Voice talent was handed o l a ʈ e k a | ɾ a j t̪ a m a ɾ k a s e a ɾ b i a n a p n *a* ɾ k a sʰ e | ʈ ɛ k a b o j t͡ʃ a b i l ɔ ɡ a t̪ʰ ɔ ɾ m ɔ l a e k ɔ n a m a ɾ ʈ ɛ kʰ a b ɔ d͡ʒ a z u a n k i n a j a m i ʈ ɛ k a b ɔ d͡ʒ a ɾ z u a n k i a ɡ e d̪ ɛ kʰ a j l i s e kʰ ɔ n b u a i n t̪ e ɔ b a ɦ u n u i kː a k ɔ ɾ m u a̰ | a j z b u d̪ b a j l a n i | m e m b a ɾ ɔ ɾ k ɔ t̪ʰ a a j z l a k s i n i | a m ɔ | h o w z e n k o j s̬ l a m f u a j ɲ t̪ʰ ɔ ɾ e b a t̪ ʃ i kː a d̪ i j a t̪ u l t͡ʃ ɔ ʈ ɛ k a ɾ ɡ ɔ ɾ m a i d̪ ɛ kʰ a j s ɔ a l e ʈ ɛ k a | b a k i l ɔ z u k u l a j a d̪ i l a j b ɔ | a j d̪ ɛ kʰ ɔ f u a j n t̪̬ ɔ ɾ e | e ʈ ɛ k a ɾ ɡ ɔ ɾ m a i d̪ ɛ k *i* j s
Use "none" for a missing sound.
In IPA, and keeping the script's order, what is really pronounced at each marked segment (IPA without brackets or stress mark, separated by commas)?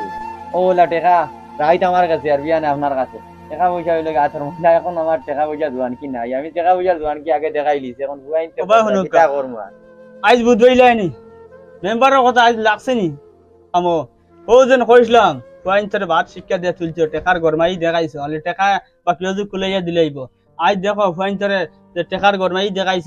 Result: a, a